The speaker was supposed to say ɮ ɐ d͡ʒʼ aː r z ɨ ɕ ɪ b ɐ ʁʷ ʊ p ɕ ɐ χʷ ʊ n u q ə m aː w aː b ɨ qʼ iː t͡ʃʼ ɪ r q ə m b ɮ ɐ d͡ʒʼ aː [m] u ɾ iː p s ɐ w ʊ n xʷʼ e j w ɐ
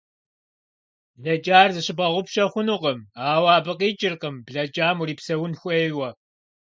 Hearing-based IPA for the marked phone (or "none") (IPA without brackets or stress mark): m